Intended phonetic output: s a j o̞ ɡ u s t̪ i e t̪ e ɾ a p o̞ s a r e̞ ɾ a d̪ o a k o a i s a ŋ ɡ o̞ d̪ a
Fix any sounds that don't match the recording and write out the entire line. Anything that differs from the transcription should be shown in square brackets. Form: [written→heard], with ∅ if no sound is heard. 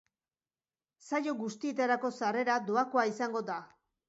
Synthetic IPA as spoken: s a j o̞ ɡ u s t̪ i e t̪ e ɾ a [p→k] o̞ s a r e̞ ɾ a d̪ o a k o a i s a ŋ ɡ o̞ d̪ a